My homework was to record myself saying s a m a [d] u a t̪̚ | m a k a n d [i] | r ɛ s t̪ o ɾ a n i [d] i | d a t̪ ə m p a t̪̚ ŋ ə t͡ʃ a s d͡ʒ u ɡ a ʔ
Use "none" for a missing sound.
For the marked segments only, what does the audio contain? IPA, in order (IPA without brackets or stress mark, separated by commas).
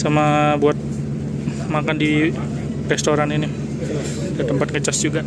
b, i, n